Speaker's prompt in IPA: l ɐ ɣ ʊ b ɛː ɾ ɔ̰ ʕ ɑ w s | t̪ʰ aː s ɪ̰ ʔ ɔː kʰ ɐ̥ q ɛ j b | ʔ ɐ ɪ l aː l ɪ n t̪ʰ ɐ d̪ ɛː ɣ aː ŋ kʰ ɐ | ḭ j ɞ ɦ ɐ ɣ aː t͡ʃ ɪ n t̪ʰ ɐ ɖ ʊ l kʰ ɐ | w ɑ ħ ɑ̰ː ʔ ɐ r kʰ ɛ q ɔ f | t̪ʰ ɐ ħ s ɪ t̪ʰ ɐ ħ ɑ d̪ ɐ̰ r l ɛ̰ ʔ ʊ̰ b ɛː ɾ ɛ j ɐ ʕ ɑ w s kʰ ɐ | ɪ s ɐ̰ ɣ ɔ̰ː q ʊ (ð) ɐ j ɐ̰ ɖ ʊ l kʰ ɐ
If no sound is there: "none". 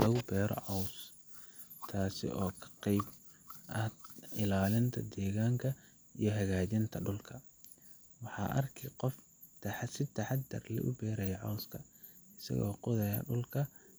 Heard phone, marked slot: ð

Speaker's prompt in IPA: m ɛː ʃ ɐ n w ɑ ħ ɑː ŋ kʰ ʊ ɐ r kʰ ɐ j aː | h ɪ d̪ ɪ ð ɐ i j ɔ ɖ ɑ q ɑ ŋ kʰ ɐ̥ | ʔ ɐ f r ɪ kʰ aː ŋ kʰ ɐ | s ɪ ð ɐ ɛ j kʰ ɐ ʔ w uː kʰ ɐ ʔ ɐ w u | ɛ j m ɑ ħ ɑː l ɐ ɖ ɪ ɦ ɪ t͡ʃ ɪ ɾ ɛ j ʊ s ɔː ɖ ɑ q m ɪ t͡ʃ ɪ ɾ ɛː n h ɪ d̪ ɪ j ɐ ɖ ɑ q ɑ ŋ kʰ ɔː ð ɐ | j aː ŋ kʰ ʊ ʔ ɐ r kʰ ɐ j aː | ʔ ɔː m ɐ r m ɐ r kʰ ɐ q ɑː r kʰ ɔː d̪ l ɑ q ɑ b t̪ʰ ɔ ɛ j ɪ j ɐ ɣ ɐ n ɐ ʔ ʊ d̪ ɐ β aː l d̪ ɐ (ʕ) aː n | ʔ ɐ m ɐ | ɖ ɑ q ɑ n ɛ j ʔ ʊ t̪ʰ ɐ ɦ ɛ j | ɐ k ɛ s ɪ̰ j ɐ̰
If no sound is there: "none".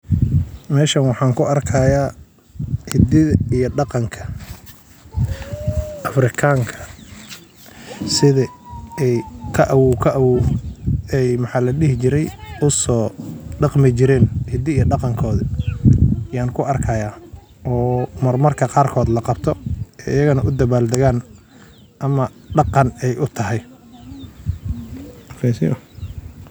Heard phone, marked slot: ɣ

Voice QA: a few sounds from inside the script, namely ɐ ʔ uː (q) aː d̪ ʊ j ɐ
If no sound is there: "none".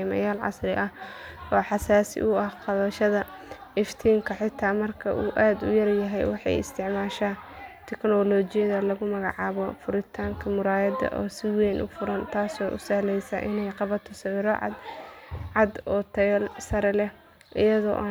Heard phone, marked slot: ʔ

